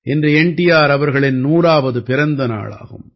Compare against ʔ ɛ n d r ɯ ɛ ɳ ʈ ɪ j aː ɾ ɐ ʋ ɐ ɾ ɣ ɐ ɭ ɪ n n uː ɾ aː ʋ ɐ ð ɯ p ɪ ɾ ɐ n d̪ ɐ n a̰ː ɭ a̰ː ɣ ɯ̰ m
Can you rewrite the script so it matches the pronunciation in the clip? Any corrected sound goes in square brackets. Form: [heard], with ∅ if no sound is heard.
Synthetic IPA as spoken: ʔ ɛ n d r ɯ ɛ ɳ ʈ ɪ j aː ɾ ɐ ʋ ɐ ɾ ɣ ɐ ɭ ɪ n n uː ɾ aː ʋ ɐ ð ɯ p ɪ ɾ ɐ n d̪ ɐ n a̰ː ɭ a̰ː ɣ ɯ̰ m